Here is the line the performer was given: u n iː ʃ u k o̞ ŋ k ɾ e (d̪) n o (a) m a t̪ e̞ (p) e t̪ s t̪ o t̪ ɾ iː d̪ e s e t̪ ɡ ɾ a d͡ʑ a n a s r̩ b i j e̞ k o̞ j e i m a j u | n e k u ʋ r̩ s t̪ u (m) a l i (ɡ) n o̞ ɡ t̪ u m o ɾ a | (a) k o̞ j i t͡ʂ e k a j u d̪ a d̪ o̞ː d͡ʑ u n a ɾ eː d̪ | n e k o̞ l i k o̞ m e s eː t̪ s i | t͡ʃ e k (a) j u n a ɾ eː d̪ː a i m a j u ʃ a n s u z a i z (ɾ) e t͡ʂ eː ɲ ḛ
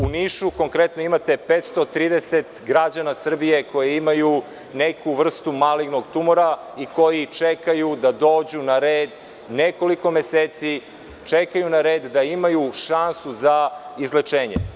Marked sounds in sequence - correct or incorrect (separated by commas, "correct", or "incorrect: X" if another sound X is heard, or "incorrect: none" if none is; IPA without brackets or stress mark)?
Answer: incorrect: t̪, incorrect: i, correct, correct, correct, incorrect: i, correct, incorrect: l